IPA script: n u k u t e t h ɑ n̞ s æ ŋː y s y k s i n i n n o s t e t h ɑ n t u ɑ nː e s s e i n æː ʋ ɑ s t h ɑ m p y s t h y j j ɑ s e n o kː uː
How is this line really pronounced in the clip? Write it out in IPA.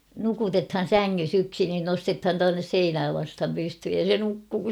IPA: n u k u t e t h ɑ n̞ s æ ŋː y s y k s i n i n n o s t e t h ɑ n t u ɑ nː e s s e i n æː ʋ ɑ s t h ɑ m p y s t h y j j ɑ s e n u kː uː